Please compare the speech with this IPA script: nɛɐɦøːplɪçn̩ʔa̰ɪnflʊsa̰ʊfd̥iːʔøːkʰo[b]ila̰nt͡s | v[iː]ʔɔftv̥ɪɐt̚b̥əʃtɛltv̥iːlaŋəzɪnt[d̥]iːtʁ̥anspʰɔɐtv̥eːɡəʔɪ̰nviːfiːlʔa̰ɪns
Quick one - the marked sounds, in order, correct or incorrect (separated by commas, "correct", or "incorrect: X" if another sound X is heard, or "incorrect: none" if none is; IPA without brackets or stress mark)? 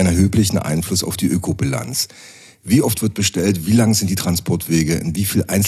correct, correct, correct